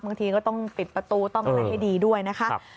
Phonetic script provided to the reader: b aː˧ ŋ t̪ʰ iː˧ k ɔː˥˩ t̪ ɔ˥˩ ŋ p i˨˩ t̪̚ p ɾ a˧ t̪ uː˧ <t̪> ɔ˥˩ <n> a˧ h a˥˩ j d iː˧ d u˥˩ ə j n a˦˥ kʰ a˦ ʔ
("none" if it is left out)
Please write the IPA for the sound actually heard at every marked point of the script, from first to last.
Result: t̪, ŋ

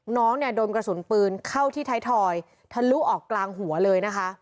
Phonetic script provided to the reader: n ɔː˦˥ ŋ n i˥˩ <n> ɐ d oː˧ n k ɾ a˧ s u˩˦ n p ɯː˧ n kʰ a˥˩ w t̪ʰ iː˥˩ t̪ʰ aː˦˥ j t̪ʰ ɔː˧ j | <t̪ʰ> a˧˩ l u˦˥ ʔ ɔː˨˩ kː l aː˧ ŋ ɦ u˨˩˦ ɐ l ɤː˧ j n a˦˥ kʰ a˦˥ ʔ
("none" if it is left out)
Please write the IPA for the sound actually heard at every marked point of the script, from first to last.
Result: none, t̪ʰ

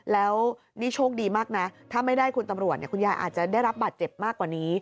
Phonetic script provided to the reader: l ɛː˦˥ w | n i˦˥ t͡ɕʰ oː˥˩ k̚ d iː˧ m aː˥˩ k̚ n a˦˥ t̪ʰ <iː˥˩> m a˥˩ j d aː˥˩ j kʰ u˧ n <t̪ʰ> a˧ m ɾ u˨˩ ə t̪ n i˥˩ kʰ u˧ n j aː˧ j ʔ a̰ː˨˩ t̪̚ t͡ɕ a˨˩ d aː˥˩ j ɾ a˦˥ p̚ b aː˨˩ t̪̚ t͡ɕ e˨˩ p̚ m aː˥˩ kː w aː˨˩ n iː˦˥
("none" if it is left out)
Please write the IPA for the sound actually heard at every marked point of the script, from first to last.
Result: aː˥˩, t̪

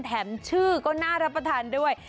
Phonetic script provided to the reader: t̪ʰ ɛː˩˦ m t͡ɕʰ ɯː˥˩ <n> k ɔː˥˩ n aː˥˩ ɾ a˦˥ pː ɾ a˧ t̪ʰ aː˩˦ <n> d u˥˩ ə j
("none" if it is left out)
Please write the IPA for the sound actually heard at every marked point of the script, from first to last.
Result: none, n

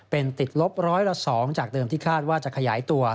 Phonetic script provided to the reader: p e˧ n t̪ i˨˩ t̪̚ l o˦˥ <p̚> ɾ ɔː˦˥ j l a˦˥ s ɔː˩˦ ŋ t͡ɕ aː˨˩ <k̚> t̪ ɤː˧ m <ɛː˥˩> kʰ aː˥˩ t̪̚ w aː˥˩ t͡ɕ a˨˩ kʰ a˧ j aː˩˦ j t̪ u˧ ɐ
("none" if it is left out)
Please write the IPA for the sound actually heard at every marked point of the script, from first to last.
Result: p̚, k̚, iː˥˩

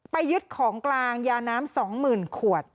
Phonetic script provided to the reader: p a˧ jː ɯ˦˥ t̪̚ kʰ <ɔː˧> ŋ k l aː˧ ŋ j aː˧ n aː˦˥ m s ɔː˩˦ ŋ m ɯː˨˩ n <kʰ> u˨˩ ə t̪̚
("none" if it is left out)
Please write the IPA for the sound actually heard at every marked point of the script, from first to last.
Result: ɔː˩˦, kʰ

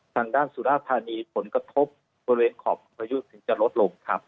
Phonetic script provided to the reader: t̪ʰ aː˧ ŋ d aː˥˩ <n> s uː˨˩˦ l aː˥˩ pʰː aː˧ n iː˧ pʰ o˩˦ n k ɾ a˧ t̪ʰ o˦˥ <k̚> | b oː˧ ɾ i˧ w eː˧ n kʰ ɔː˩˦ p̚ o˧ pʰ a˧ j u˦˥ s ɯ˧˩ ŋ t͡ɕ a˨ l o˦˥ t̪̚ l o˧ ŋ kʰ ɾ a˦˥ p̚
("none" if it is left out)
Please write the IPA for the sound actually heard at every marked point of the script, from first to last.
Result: n, p̚

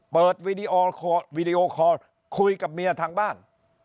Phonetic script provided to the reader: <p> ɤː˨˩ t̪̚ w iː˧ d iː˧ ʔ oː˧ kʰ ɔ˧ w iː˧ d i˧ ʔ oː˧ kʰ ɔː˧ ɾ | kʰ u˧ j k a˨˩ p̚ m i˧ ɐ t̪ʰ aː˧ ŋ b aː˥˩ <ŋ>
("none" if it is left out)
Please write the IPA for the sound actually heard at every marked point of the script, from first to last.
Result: p, n

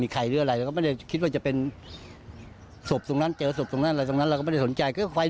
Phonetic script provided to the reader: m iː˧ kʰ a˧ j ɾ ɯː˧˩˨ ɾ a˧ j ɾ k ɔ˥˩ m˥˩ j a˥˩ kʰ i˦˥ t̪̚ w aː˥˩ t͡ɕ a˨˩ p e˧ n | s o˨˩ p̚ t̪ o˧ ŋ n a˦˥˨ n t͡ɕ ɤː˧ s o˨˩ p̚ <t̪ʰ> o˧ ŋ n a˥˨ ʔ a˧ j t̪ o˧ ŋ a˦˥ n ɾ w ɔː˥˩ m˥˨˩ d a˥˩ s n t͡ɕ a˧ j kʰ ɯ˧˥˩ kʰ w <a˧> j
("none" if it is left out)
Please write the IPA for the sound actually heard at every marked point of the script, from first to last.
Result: t̪, a˧

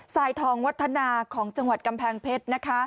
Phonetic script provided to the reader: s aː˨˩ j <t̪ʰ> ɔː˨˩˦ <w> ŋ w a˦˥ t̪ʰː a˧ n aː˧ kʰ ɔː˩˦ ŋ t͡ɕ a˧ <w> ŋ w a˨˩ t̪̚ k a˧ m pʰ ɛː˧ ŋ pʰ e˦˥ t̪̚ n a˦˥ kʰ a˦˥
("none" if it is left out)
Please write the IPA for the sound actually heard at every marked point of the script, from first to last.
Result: t̪ʰ, none, none

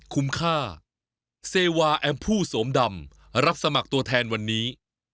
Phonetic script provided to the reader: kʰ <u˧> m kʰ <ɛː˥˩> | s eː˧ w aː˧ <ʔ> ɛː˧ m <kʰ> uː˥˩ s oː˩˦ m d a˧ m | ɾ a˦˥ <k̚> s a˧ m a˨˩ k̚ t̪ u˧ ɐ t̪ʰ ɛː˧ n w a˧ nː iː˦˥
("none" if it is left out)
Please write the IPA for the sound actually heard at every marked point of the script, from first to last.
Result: u˦˥, aː˥˩, ʔ, pʰ, p̚

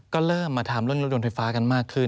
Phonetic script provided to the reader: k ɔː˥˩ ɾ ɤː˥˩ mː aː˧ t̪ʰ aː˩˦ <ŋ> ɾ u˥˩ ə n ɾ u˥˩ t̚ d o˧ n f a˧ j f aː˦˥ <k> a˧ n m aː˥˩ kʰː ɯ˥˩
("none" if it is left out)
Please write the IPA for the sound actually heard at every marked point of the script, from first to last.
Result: m, k

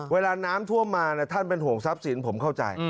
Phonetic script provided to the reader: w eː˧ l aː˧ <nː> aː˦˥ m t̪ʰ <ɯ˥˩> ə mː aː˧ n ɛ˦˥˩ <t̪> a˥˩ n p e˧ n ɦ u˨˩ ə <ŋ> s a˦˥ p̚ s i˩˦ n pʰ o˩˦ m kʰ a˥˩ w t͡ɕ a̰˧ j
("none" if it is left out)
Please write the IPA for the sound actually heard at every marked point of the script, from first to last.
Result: n, u˥˩, t̪ʰ, ŋ

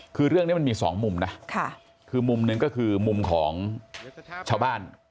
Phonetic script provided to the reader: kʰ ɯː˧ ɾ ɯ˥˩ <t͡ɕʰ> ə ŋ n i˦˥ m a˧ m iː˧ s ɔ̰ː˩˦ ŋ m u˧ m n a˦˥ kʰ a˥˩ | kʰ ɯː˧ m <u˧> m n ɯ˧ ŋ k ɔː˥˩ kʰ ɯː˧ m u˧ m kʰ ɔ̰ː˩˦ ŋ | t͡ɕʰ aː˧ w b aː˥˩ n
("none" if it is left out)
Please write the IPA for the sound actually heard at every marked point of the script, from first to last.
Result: none, u˧

